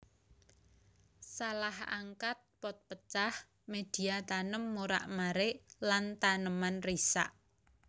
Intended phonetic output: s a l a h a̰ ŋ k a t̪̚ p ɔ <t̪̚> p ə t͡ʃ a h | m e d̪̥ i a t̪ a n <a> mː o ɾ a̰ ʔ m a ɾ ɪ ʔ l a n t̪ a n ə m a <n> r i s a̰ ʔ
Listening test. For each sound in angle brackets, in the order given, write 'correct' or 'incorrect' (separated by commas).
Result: correct, incorrect, correct